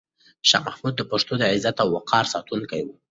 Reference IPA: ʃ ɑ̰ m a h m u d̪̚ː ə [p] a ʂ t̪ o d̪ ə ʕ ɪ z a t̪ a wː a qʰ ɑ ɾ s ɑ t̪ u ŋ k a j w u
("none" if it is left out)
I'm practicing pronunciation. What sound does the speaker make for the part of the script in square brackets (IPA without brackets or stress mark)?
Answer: p